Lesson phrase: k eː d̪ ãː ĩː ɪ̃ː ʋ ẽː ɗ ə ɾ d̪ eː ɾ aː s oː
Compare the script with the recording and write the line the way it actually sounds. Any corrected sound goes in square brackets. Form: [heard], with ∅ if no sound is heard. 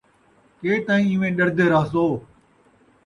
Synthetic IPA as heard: k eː [t̪] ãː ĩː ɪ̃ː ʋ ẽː ɗ ə ɾ d̪ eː ɾ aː s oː